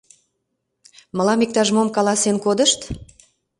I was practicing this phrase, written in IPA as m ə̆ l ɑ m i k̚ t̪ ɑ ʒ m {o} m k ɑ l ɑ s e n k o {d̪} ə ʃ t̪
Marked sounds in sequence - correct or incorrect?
correct, correct

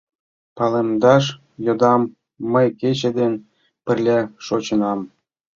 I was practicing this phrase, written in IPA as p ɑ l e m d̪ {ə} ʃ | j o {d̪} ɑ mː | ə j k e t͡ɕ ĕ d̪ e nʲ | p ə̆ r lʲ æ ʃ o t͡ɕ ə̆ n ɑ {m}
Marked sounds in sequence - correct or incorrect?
incorrect: ɑ, correct, correct

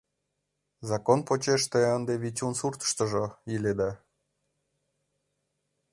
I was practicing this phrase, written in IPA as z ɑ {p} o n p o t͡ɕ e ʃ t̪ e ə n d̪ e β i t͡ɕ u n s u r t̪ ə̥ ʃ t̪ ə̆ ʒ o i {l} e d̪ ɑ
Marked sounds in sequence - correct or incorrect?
incorrect: k, correct

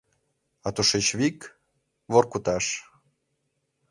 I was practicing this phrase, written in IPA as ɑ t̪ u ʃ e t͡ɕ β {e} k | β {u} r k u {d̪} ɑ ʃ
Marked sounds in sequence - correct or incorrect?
incorrect: i, incorrect: o, incorrect: t̪

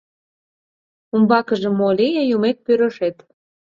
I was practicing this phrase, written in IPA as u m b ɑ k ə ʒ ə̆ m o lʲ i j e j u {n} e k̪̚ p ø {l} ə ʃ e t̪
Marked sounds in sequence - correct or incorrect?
incorrect: m, incorrect: ɾ

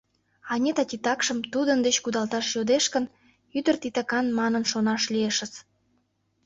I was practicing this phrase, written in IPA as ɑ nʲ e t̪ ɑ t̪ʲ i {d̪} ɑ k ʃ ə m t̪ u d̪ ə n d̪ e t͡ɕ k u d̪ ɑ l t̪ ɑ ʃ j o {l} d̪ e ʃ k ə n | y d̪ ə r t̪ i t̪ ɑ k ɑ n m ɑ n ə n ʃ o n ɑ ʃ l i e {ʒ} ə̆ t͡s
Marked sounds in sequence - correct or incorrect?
incorrect: t̪, incorrect: none, incorrect: ʃ

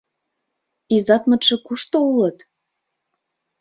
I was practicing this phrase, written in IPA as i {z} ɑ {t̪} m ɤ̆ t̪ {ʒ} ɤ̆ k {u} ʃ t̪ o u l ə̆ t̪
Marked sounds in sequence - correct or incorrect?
correct, correct, incorrect: ʃ, correct

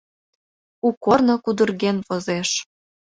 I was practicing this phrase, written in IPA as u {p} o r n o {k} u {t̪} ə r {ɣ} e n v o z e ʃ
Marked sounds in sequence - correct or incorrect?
incorrect: k, correct, incorrect: d̪, correct

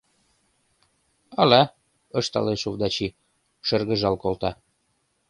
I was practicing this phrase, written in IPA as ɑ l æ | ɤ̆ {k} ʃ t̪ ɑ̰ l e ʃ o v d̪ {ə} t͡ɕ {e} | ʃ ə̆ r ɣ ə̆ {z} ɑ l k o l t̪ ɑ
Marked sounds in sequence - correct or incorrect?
incorrect: none, incorrect: ɑ, incorrect: i, incorrect: ʒ

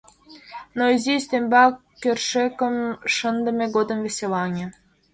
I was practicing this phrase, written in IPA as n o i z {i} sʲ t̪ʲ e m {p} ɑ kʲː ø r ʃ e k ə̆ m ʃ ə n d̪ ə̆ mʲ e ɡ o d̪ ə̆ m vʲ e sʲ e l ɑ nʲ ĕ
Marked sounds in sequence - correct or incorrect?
correct, incorrect: b

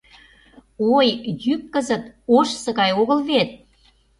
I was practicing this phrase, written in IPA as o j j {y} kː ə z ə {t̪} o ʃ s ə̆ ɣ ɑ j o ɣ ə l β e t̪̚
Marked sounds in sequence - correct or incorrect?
correct, correct

